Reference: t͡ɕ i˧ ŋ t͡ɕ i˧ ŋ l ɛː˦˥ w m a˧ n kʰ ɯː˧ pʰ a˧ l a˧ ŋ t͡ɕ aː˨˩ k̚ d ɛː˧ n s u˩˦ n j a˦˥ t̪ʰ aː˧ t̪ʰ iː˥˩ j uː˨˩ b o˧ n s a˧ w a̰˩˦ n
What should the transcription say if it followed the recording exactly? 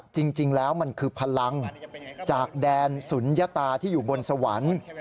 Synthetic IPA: t͡ɕ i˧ ŋ t͡ɕ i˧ ŋ l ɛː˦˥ w m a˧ n kʰ ɯː˧ pʰ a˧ l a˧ ŋ t͡ɕ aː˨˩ k̚ d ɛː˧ n s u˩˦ n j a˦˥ t̪ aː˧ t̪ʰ iː˥˩ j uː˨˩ b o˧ n s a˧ w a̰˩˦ n